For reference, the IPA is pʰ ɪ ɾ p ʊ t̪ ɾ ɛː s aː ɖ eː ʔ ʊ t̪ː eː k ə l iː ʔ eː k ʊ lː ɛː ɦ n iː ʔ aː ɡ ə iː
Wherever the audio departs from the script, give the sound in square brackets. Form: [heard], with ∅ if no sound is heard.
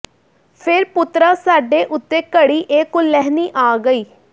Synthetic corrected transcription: pʰ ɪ ɾ p ʊ t̪ ɾ [aː] s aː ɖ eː ʔ ʊ t̪ː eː k ə [ɽ] iː ʔ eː k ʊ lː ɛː ɦ n iː ʔ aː ɡ ə iː

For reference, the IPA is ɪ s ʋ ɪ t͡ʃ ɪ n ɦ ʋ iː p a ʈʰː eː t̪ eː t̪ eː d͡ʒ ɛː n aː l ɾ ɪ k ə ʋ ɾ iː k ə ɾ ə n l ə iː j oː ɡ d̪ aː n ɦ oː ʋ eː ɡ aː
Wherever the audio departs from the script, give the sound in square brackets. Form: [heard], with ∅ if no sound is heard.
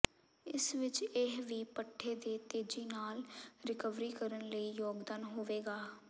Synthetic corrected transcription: ɪ s ʋ ɪ t͡ʃ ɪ [∅] ɦ ʋ iː p [ə] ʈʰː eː [d̪] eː t̪ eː d͡ʒ [iː] n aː l ɾ ɪ k ə ʋ ɾ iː k ə ɾ ə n l ə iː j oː ɡ d̪ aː n ɦ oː ʋ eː ɡ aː

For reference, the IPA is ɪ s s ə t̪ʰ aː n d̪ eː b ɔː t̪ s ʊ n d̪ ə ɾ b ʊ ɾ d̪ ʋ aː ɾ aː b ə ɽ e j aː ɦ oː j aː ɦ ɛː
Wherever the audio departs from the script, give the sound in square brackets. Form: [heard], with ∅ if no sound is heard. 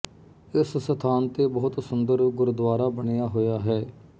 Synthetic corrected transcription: ɪ s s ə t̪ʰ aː n [t̪] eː b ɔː t̪ s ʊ n d̪ ə ɾ [ɡ] ʊ ɾ d̪ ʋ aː ɾ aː b ə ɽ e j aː ɦ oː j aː ɦ ɛː

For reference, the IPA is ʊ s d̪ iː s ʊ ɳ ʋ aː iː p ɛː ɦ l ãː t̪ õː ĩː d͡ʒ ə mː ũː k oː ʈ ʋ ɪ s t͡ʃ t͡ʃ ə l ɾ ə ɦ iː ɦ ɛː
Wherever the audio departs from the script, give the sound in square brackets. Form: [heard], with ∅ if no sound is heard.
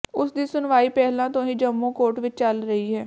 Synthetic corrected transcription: ʊ s d̪ iː s ʊ [n] ʋ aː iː p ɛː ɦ l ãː t̪ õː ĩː d͡ʒ ə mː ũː k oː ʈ ʋ ɪ [∅] t͡ʃ t͡ʃ ə l ɾ ə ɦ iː ɦ ɛː

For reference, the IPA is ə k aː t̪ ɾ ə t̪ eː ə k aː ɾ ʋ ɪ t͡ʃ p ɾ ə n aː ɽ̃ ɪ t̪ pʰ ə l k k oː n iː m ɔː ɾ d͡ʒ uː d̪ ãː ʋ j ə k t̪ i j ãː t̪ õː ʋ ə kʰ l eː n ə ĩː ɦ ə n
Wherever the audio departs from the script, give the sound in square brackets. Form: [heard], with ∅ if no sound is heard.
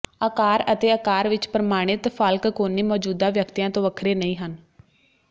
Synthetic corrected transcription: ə k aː [∅] ɾ ə t̪ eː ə k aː ɾ ʋ ɪ t͡ʃ p ɾ ə [m] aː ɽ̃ ɪ t̪ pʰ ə l k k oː n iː m ɔː [∅] d͡ʒ uː d̪ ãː ʋ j ə k t̪ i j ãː t̪ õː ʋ ə kʰ [ɾ] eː n ə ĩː ɦ ə n

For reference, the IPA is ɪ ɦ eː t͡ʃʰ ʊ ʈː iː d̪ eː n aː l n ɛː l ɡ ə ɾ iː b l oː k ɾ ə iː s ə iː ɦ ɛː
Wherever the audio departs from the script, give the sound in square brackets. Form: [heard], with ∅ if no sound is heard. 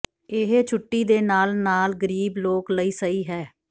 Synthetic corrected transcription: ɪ ɦ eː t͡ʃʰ ʊ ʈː iː d̪ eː n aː l n [aː] l ɡ ə ɾ iː b l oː k [l] ə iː s ə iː ɦ ɛː

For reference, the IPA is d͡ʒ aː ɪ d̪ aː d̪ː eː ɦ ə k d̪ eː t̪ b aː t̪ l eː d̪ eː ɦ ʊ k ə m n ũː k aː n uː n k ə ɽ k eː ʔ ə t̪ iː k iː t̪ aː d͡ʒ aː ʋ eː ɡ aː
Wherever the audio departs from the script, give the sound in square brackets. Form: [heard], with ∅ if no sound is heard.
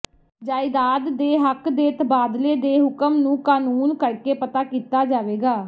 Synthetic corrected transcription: d͡ʒ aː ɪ d̪ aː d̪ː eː ɦ ə k d̪ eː t̪ b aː [d̪] l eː d̪ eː ɦ ʊ k ə m n ũː k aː n uː n k ə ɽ k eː [p] ə t̪ [aː] k iː t̪ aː d͡ʒ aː ʋ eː ɡ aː

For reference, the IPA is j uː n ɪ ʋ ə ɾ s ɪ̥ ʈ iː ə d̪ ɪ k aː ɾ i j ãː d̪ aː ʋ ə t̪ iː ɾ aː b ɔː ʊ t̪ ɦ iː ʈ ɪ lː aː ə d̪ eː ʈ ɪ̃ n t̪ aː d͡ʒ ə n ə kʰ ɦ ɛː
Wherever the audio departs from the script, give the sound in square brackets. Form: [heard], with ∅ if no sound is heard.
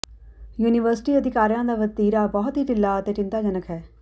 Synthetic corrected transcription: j uː n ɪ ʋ ə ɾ s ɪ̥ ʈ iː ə d̪ ɪ k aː ɾ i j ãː d̪ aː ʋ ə t̪ iː ɾ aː b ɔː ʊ t̪ ɦ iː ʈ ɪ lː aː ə [t̪] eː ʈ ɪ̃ n t̪ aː d͡ʒ ə n ə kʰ ɦ ɛː

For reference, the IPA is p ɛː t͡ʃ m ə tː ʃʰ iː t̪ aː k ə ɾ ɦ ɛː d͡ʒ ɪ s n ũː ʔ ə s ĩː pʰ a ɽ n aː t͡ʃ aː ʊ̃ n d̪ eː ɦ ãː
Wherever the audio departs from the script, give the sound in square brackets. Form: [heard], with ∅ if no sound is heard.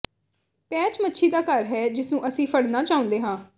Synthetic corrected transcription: p ɛː t͡ʃ m ə tː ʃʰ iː [d̪] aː k ə ɾ ɦ ɛː d͡ʒ ɪ s n ũː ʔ ə s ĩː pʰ [ə] ɽ n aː t͡ʃ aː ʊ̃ n d̪ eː ɦ ãː

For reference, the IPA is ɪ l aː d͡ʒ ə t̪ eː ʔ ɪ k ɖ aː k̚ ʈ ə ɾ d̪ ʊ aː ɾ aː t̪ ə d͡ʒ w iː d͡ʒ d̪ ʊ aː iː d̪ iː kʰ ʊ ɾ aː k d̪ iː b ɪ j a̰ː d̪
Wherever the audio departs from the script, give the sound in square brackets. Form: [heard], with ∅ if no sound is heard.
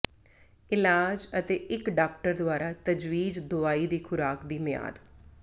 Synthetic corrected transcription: ɪ l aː d͡ʒ ə t̪ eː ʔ ɪ k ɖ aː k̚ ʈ ə ɾ d̪ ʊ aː ɾ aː t̪ ə d͡ʒ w iː d͡ʒ d̪ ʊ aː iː d̪ iː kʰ ʊ ɾ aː k d̪ iː [m] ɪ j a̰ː d̪

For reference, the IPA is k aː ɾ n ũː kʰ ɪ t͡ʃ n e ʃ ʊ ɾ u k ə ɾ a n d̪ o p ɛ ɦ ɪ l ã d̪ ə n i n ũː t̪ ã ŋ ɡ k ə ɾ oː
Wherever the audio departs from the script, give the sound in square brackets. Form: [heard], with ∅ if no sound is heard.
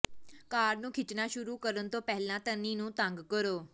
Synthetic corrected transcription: k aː ɾ n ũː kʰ ɪ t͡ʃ n [a] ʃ ʊ ɾ u k ə ɾ [ə] n [t̪] o p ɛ ɦ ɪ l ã [t̪] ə n i n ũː t̪ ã ŋ ɡ k ə ɾ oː

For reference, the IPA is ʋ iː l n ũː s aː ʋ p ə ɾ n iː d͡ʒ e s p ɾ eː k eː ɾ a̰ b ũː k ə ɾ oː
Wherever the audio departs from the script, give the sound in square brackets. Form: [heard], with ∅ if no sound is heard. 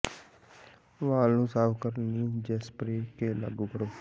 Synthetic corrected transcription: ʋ [aː] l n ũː s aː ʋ [k] ə ɾ n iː d͡ʒ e s p ɾ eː k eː [l] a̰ [ɡ] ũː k ə ɾ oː

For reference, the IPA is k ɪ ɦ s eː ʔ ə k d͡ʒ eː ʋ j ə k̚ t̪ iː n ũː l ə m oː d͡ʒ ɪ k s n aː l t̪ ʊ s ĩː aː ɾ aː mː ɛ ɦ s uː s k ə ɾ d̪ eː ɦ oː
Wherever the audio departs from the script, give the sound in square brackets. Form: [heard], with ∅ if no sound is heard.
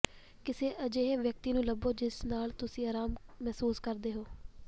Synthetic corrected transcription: k ɪ [∅] s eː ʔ ə [∅] d͡ʒ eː ʋ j ə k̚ t̪ iː n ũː l ə [b] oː d͡ʒ ɪ [∅] s n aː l t̪ ʊ s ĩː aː ɾ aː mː ɛ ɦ s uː s k ə ɾ d̪ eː ɦ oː

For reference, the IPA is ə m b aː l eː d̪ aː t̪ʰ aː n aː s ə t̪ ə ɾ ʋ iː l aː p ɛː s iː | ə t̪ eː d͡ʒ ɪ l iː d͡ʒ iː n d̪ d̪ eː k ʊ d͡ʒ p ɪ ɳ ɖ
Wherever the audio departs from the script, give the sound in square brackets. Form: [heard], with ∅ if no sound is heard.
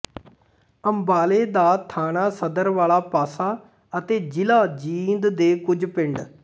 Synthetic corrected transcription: ə m b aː l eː d̪ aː t̪ʰ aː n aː s ə [d̪] ə ɾ ʋ [aː] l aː p [aː] s [aː] | ə t̪ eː d͡ʒ ɪ l [aː] d͡ʒ iː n d̪ d̪ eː k ʊ d͡ʒ p ɪ ɳ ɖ

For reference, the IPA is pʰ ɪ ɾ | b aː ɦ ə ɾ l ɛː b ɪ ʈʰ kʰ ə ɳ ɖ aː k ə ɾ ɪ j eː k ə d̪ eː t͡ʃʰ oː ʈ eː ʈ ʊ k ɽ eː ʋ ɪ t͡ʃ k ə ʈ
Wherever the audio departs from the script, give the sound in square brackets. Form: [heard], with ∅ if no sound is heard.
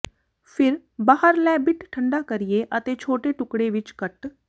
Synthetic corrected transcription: pʰ ɪ ɾ | b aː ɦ ə ɾ l ɛː b ɪ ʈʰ [ʈʰ] ə ɳ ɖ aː k ə ɾ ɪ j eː [ʔ] ə [t̪] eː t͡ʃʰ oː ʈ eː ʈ ʊ k ɽ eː ʋ ɪ t͡ʃ k ə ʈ

